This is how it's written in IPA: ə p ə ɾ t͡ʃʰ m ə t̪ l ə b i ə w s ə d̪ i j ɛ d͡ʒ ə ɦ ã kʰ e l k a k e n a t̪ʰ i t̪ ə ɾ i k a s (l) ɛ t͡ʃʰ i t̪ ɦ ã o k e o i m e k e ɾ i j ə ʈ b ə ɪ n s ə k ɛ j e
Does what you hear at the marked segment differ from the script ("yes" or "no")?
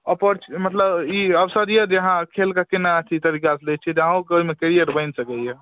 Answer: no